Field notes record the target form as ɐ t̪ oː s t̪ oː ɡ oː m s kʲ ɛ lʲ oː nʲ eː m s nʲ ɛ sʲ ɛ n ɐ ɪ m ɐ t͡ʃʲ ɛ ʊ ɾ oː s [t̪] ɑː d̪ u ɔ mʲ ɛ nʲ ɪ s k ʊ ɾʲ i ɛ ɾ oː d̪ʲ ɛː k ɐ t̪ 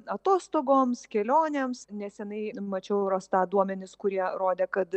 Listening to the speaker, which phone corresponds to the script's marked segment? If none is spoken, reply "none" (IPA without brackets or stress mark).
t̪